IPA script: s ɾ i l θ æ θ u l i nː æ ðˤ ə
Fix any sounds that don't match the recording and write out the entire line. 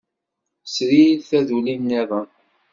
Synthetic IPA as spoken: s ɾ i l θ æ ð u l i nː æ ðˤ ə